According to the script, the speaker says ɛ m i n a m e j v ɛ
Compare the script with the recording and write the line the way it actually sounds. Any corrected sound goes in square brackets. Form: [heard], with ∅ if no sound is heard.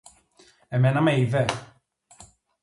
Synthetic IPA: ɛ m [ɛ] n a m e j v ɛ